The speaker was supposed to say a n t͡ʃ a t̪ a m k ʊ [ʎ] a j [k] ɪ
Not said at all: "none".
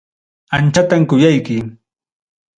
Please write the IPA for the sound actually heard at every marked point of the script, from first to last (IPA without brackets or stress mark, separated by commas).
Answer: j, k